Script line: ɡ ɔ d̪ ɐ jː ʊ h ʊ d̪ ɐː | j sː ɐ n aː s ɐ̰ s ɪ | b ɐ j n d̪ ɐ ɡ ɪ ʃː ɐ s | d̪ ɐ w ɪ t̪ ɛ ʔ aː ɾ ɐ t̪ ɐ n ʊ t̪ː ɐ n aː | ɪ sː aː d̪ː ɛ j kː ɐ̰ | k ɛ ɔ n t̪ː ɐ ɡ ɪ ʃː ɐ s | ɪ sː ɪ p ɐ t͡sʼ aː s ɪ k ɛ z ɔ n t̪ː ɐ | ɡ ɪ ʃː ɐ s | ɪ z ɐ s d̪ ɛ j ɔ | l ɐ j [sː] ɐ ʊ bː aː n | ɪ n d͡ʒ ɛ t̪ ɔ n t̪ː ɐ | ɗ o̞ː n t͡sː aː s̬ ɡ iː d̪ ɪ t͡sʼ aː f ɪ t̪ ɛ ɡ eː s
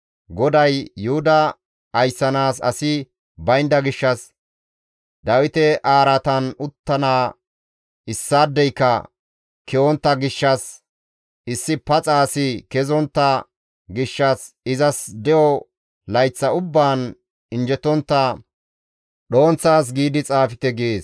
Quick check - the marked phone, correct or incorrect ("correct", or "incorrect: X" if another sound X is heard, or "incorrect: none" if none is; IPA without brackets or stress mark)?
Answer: incorrect: t͡sː